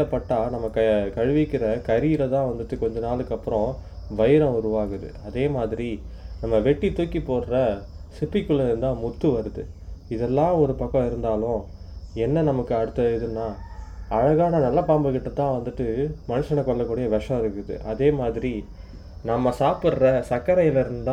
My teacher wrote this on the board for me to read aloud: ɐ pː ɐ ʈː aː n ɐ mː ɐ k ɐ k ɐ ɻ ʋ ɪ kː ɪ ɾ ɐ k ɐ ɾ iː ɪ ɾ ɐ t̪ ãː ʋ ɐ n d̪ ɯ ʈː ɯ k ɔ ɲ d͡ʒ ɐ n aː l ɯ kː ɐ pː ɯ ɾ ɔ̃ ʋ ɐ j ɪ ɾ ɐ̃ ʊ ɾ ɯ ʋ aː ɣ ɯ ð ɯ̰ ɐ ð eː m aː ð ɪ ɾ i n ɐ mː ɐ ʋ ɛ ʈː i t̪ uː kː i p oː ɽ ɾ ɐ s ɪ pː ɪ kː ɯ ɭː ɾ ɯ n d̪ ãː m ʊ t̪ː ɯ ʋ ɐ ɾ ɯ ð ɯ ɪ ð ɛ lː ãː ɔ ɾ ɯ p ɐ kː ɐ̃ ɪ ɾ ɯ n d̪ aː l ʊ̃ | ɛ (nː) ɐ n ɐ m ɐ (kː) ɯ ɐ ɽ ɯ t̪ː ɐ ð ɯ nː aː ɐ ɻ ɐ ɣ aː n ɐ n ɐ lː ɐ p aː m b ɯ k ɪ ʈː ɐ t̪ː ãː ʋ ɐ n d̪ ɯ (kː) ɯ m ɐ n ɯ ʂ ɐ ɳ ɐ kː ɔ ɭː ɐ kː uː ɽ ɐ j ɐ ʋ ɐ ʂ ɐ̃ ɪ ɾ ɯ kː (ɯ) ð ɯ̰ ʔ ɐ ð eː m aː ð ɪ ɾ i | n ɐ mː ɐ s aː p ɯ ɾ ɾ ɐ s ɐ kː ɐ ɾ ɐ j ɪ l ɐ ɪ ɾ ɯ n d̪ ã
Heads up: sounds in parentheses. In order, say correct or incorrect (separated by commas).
correct, correct, incorrect, correct